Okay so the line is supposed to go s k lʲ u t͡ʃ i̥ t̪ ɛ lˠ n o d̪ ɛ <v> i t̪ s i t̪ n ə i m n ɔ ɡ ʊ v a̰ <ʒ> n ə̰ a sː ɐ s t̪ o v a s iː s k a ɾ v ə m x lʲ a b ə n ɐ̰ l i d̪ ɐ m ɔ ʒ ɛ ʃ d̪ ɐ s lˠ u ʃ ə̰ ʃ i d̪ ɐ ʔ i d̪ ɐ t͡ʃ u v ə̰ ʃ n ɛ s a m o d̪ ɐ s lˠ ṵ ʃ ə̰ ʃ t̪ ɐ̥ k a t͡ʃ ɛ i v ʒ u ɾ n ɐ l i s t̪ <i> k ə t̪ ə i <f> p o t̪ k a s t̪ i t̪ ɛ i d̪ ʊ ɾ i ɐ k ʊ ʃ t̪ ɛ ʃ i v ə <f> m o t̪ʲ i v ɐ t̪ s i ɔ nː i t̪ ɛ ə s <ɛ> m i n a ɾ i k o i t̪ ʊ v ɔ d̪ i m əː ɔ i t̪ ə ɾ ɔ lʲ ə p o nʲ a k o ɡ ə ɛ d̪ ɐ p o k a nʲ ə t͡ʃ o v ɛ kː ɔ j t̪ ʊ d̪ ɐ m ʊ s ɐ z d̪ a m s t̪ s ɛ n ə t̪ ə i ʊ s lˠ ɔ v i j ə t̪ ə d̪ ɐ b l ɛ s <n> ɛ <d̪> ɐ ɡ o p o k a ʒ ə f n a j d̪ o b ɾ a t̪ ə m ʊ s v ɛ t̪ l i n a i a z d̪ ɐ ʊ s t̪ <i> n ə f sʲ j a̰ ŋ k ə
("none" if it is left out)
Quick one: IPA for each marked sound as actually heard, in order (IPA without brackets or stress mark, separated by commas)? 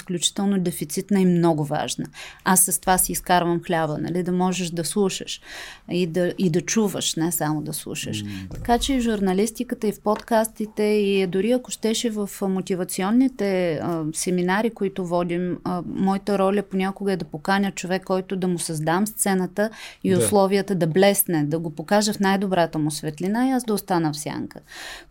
f, ʒ, i, f, f, ɛ, n, d̪, a